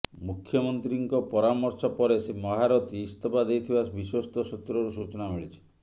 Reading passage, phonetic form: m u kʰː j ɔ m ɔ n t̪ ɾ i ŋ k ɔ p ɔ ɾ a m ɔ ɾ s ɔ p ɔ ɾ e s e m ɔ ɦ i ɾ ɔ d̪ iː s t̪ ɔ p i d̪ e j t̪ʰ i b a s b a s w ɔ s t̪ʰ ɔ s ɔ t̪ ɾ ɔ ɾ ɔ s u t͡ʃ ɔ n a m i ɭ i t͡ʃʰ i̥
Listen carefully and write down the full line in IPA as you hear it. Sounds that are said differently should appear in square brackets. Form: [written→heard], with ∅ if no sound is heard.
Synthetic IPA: m u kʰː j ɔ m ɔ n t̪ ɾ i ŋ k ɔ p ɔ ɾ a m ɔ ɾ s ɔ p ɔ ɾ e s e m ɔ ɦ [i→a] ɾ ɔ [d̪→t̪] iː s t̪ ɔ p [i→a] d̪ e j t̪ʰ i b a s b [a→i] s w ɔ s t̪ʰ ɔ s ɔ t̪ ɾ ɔ ɾ [ɔ→u] s u t͡ʃ ɔ n a m i ɭ i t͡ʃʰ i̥